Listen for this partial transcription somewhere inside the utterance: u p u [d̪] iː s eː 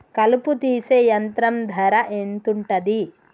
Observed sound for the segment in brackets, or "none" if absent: t̪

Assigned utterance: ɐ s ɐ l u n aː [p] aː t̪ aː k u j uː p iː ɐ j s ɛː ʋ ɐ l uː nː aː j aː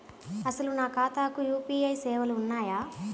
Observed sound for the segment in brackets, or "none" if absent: k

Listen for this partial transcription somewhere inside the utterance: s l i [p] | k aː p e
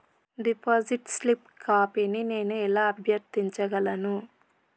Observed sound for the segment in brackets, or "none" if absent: p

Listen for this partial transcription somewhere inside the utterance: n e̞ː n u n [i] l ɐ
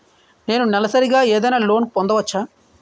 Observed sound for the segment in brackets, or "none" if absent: ɛ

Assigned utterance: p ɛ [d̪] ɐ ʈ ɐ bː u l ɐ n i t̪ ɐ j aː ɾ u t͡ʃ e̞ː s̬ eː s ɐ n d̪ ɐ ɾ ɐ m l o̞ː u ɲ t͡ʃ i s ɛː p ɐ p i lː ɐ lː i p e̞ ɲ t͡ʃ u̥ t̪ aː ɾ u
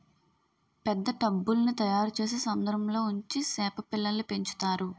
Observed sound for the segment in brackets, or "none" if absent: d̪ː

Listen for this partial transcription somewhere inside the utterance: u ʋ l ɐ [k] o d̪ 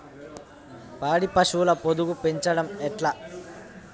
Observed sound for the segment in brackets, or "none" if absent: p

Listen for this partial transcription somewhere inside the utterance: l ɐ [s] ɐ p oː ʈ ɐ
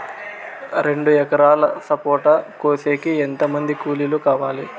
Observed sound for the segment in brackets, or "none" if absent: s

